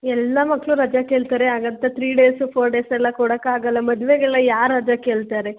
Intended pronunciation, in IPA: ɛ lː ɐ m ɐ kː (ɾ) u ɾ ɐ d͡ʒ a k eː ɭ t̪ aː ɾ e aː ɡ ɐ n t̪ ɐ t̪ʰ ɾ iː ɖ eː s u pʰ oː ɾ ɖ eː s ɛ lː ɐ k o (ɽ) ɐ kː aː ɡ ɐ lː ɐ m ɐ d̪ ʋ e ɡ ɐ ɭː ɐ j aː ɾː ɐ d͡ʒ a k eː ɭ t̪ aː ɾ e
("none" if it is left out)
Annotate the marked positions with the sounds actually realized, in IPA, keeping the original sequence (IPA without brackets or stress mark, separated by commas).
ɭ, ɽ